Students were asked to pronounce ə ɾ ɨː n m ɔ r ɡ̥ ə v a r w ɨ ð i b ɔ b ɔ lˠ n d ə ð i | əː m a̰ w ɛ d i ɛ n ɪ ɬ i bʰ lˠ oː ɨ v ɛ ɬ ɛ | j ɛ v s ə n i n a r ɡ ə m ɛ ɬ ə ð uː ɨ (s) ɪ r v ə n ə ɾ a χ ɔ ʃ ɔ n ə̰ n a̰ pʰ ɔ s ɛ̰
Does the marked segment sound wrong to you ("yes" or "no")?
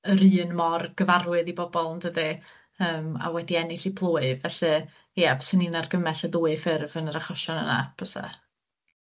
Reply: yes